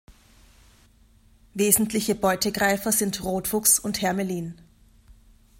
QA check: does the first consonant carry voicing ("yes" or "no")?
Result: yes